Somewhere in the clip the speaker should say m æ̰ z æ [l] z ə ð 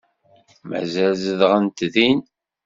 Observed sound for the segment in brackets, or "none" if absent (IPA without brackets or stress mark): l